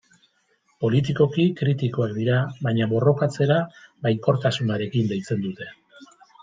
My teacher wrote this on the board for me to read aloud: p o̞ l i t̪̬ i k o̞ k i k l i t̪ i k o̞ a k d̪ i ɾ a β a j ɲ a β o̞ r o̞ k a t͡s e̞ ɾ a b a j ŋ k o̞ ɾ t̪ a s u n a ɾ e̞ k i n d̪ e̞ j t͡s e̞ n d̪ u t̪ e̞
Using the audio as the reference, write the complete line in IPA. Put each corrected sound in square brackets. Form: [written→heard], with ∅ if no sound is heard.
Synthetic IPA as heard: p o̞ l i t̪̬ i k o̞ k i k [l→ɾ] i t̪ i k o̞ a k d̪ i ɾ a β a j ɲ a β o̞ r o̞ k a t͡s e̞ ɾ a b a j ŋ k o̞ ɾ t̪ a s u n a ɾ e̞ k i n d̪ e̞ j t͡s e̞ n d̪ u t̪ e̞